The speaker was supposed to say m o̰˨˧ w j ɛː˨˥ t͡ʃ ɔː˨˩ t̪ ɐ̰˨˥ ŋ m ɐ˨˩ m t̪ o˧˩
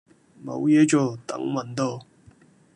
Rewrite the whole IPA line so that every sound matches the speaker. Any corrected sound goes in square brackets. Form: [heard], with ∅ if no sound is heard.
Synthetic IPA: m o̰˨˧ w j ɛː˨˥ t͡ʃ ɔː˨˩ t̪ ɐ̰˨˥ ŋ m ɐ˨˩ [n] t̪ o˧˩